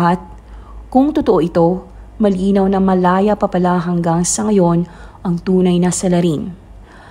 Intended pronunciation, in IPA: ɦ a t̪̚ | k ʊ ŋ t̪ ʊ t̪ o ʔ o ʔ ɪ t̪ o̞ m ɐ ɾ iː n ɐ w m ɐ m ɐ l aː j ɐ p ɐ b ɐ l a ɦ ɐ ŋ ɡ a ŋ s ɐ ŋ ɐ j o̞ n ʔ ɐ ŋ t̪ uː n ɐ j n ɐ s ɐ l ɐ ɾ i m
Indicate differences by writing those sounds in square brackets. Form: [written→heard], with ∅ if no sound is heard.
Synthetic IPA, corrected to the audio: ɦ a t̪̚ | k ʊ ŋ t̪ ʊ t̪ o ʔ o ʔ ɪ t̪ o̞ m ɐ [ɾ→l] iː n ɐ w [m→n] ɐ m ɐ l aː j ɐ p ɐ [b→p] ɐ l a ɦ ɐ ŋ ɡ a ŋ s ɐ ŋ ɐ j o̞ n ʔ ɐ ŋ t̪ uː n ɐ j n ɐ s ɐ l ɐ ɾ i [m→n]